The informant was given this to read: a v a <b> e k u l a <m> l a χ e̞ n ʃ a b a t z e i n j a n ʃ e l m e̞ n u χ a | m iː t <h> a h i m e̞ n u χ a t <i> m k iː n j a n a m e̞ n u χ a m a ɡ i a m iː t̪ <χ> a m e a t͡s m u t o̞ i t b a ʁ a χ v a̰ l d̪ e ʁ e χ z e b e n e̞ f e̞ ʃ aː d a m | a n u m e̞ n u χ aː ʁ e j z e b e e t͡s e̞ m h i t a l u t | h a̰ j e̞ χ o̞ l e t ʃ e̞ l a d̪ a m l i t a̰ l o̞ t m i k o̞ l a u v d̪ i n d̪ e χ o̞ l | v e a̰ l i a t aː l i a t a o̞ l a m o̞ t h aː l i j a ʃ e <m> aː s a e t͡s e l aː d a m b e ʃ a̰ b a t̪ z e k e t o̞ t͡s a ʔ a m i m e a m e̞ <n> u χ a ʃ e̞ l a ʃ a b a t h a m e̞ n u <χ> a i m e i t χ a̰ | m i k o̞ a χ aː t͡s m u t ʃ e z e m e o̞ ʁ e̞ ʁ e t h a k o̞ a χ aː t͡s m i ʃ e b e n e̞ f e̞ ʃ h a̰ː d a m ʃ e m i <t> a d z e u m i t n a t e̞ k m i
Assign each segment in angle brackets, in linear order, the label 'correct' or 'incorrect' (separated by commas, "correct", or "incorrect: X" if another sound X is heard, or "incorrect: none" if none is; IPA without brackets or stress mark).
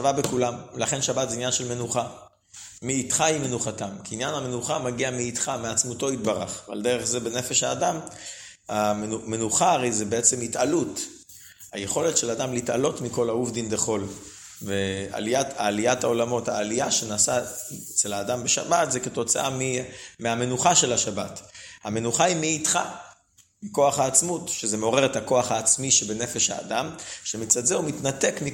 correct, correct, incorrect: χ, incorrect: a, correct, incorrect: n, correct, correct, incorrect: t͡s